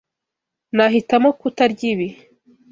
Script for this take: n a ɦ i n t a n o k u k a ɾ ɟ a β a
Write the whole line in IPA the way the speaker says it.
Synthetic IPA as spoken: n a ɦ i t a m o k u t a ɾ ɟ i β i